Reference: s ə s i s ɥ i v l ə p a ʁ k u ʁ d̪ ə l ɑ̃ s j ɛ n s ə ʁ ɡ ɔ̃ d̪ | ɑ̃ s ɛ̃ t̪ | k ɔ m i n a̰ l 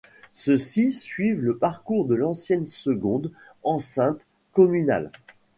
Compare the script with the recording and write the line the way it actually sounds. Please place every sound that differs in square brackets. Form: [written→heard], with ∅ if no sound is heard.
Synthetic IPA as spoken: s ə s i s ɥ i v l ə p a ʁ k u ʁ d̪ ə l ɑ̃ s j ɛ n s ə [ʁ→∅] ɡ ɔ̃ d̪ | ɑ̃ s ɛ̃ t̪ | k ɔ m [i→y] n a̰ l